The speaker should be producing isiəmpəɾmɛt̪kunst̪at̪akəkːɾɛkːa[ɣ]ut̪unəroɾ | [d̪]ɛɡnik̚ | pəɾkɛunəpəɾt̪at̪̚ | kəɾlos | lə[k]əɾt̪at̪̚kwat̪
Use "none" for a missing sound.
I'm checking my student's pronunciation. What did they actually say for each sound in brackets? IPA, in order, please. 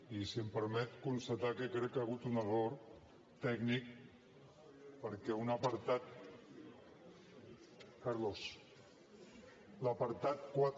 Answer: ɣ, t̪, p

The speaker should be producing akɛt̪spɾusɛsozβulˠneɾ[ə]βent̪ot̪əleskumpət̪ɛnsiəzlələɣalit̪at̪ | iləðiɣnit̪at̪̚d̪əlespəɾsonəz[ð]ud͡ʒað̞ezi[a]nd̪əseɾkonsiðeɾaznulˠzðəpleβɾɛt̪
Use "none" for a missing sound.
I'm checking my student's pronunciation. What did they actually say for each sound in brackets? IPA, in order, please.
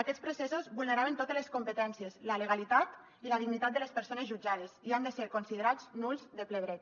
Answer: a, ʒ, a

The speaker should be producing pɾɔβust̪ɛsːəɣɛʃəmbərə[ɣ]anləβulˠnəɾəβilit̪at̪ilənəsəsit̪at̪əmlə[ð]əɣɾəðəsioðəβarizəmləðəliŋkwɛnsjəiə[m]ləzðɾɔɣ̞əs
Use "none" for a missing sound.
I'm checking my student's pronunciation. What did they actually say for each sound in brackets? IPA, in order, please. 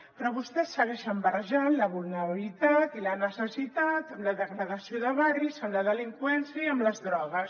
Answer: ʒ, ð, m

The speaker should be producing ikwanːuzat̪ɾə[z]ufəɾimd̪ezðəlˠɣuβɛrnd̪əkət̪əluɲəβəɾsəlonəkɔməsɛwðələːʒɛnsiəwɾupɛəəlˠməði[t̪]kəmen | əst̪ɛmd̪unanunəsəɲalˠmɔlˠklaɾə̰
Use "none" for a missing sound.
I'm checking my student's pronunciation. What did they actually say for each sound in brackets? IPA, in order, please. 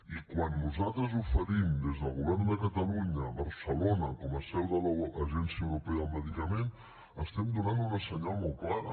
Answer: z, none

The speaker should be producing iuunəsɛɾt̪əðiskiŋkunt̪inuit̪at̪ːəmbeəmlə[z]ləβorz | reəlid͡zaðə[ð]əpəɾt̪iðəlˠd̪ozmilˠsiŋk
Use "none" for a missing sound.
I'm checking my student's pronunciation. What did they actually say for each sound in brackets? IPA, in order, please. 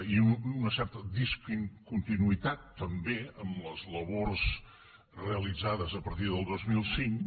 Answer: z, z

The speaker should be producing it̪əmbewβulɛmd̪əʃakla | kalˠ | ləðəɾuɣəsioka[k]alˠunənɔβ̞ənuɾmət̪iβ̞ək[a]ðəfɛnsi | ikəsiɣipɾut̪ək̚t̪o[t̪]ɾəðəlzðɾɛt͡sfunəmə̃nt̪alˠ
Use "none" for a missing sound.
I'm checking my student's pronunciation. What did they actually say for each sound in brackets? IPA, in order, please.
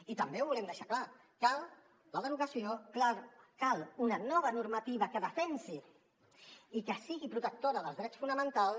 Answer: k, ə, none

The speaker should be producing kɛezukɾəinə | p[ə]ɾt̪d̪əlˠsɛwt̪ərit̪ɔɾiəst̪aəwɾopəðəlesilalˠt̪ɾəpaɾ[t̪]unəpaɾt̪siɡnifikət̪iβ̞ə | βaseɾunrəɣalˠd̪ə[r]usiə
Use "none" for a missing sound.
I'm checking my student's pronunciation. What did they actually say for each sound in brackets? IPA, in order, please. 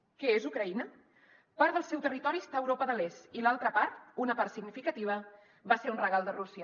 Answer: a, t̪, r

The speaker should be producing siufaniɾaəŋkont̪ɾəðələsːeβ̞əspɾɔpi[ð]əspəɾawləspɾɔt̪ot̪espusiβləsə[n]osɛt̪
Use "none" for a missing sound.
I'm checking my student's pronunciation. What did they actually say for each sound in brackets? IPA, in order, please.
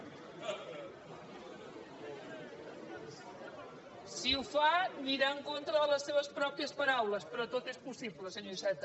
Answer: none, ɲ

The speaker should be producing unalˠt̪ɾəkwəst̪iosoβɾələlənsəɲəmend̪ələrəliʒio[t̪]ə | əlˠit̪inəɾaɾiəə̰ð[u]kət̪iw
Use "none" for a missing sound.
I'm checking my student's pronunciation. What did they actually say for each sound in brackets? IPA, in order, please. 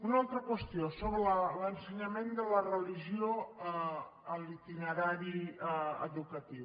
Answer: none, u

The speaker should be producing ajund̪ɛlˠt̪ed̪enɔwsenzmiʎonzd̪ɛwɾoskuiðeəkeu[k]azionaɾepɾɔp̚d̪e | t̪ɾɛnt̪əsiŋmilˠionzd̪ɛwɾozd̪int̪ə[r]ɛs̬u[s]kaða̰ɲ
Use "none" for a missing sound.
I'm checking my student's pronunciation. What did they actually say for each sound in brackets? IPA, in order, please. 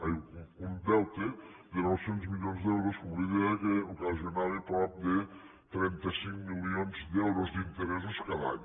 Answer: k, ɾ, s

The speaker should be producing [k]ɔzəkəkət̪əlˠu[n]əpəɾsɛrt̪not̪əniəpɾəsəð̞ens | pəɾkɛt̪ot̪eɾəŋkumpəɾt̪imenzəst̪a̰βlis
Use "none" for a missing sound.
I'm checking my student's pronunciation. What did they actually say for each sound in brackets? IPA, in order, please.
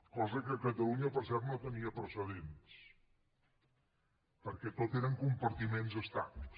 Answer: k, ɲ

